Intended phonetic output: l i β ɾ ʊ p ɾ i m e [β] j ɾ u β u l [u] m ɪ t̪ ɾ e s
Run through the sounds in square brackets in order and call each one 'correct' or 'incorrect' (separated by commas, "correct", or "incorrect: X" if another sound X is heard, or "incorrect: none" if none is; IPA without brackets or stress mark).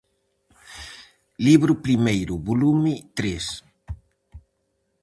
incorrect: none, correct